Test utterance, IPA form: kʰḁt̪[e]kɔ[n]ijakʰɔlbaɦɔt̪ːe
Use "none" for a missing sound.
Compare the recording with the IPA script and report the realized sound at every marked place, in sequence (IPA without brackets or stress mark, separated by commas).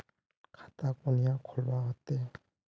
a, n